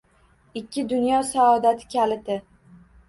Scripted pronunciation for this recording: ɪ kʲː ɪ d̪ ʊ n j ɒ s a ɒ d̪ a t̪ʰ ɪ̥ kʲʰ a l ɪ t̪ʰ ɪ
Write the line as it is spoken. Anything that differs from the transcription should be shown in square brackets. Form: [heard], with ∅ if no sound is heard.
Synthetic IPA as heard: ɪ kʲː ɪ d̪ ʊ n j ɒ s a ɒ d̪ a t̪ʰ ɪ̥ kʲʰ a l ɪ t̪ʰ ɪ